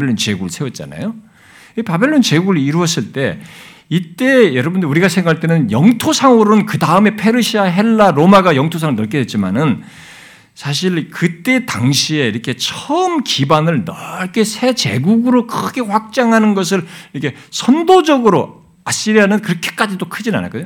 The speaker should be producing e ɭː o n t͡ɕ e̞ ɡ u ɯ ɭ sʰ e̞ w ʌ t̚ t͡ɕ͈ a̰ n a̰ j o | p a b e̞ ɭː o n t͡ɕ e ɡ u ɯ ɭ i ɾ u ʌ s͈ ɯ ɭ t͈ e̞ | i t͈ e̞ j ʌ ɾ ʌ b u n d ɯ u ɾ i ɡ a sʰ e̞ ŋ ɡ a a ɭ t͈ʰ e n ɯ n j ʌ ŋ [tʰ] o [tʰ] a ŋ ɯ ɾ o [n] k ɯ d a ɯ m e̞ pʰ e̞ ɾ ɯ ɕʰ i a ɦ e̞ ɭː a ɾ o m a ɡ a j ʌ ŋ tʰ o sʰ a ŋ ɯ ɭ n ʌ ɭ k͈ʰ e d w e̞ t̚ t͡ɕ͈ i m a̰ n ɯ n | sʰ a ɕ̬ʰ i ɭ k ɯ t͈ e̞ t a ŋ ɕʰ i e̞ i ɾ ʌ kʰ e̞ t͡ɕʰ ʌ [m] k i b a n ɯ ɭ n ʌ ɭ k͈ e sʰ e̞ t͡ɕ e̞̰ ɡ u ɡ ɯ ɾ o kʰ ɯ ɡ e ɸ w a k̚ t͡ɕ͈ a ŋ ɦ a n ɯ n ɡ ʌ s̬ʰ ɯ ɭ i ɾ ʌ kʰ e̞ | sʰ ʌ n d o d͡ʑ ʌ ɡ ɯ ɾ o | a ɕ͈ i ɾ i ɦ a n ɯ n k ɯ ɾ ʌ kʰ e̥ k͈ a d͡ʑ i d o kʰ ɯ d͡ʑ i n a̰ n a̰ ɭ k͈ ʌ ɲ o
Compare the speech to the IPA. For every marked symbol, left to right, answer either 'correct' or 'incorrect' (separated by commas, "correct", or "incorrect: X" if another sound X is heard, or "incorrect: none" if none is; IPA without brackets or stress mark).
correct, incorrect: sʰ, correct, correct